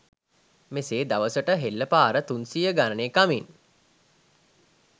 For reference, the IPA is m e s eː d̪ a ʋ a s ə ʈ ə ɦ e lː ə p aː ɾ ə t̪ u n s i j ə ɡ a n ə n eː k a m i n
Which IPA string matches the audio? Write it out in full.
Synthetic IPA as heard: m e s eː d̪ a ʋ ə s ə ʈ ə ɦ e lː ə p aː ɾ ə t̪ u n s i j ə ɡ a n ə n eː k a m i n